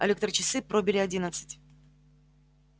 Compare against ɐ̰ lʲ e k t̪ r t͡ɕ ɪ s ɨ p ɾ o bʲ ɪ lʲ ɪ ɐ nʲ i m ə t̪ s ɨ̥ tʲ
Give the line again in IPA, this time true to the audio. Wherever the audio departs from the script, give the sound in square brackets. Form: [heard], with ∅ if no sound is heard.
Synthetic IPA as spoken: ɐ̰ lʲ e k t̪ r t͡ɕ ɪ s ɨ p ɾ o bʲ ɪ lʲ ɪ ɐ [dʲ] i [n] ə t̪ s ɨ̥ tʲ